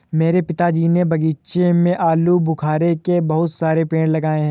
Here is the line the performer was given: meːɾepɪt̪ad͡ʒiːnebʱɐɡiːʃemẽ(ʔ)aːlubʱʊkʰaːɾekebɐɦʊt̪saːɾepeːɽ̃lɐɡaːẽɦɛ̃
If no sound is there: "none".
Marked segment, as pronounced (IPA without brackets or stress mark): ʔ